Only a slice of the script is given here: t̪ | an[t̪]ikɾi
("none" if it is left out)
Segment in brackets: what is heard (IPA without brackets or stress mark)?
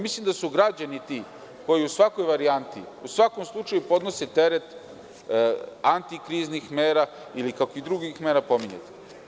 t̪